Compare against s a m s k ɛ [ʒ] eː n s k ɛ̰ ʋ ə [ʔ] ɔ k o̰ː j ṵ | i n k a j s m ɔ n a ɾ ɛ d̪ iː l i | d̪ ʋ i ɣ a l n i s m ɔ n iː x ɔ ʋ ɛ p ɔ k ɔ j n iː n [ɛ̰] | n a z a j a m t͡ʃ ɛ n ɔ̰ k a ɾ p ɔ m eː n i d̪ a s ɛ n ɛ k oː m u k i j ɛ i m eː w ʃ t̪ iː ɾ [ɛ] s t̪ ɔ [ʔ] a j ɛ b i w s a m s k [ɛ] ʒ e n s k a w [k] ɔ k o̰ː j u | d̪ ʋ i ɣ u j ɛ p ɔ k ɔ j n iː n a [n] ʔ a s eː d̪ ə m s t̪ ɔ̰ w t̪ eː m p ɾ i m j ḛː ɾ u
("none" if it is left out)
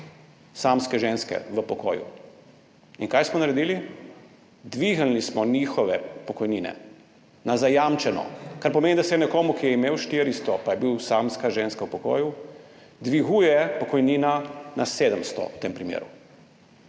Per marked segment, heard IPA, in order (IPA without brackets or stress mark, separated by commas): ʒ, p, ɛ̰, i, p, a, p, n